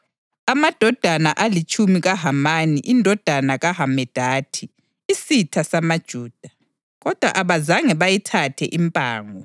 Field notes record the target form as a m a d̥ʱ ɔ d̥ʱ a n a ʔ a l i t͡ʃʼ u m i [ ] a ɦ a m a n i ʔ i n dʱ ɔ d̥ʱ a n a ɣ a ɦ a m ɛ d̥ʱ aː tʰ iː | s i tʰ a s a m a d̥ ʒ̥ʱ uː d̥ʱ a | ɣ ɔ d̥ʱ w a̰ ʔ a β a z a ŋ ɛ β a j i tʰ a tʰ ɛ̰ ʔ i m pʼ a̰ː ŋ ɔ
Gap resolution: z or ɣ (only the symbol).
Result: ɣ